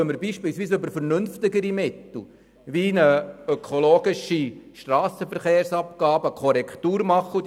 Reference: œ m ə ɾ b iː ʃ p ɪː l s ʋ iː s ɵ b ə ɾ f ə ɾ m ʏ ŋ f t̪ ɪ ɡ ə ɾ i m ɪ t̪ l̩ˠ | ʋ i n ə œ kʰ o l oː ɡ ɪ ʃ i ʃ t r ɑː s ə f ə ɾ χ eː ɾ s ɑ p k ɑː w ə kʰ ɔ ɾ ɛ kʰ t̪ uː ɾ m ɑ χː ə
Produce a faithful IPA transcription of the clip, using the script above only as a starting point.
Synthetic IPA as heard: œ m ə ɾ b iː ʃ p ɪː l s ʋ iː s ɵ b ə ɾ f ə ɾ n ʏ n f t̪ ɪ ɡ ə ɾ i m ɪ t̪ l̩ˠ | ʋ i n ə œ kʰ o l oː ɡ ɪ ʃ i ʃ t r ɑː s ə f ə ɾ χ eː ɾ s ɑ p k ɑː b ə kʰ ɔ ɾ ɛ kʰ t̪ uː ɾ m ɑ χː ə